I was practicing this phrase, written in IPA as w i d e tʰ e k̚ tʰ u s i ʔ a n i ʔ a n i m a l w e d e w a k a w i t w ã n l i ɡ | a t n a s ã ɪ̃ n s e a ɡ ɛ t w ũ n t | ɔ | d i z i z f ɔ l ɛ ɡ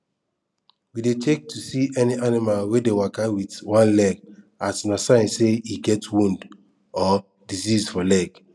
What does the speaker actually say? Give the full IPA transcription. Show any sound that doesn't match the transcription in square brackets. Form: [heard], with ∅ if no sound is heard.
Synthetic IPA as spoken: w i d e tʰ e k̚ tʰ u s i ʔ [ɛ] n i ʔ a n i m a l w e d e w a k a w i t w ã n l [ɛ] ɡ | a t n a s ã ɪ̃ n s e [i] ɡ ɛ t w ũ n [d] | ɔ | d i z i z f ɔ l ɛ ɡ